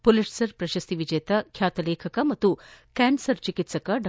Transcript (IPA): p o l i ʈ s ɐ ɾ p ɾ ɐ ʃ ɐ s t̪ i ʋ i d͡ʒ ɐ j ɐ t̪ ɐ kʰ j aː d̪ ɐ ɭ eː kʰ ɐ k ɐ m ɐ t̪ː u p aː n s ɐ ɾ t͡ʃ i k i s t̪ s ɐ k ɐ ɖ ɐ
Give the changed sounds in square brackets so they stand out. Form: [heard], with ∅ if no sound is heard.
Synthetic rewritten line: p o l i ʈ s ɐ ɾ p ɾ ɐ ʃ ɐ s t̪ i ʋ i d͡ʒ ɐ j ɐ t̪ ɐ kʰ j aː [t̪] ɐ [l] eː kʰ ɐ k ɐ m ɐ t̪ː u [k] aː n s ɐ ɾ t͡ʃ i k i [∅] t̪ s ɐ k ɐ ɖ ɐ